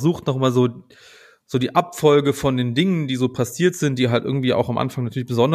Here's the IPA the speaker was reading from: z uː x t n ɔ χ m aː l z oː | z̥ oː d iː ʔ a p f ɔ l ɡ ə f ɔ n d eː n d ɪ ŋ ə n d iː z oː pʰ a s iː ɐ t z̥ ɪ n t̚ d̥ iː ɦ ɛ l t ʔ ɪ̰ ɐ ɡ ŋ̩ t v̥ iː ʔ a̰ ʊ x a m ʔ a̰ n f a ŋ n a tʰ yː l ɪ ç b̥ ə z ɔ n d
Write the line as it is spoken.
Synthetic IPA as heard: z uː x t n ɔ χ m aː l z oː | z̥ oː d iː ʔ a p f ɔ l ɡ ə f ɔ n d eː n d ɪ ŋ ə n d iː z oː pʰ a s iː ɐ t z̥ ɪ n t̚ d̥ iː ɦ a l t ʔ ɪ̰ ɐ ɡ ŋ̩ t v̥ iː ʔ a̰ ʊ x a m ʔ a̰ n f a ŋ n a tʰ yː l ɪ ç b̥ ə z ɔ n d